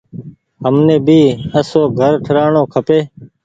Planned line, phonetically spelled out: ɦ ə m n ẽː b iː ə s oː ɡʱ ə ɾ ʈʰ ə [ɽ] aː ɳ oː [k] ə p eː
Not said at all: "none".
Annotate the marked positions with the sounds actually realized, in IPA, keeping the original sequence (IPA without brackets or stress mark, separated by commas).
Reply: ɾ, kʰ